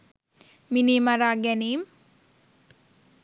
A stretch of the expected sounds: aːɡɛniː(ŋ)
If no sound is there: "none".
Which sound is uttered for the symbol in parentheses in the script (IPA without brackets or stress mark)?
m